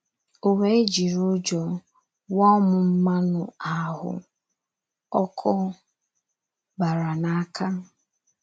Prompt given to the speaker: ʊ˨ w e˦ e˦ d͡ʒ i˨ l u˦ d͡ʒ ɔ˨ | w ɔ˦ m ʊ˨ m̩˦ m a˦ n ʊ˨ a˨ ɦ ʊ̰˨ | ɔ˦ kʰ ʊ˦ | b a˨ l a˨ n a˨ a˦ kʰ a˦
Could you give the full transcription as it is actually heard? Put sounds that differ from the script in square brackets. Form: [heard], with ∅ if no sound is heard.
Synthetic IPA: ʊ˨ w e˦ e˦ d͡ʒ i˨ [ɾ] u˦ d͡ʒ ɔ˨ | w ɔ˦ m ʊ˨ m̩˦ m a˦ n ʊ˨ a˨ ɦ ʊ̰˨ | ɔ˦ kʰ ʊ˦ | b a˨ [ɾ] a˨ n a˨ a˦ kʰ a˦